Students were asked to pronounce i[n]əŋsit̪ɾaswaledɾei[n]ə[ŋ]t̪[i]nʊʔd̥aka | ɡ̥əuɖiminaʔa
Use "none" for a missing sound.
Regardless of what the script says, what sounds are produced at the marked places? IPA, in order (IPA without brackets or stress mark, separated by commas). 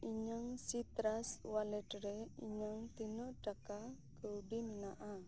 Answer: ɲ, ɲ, ŋ, i